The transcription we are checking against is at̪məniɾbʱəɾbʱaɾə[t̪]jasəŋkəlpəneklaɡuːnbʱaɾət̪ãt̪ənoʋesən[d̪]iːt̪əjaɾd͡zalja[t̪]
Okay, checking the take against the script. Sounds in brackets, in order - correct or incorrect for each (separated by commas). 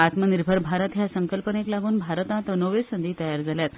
correct, correct, correct